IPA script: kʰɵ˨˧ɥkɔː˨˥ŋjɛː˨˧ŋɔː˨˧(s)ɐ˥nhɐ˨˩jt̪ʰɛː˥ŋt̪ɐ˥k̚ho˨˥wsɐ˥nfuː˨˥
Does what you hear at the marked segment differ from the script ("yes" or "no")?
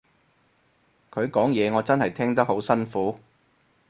yes